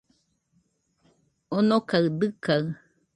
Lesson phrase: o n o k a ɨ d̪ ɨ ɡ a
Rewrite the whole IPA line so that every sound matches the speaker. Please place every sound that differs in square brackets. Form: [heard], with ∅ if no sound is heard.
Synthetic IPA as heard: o n o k a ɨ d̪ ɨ [k] a